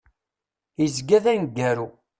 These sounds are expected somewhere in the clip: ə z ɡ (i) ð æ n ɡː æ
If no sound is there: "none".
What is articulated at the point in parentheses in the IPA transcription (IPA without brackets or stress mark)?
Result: æ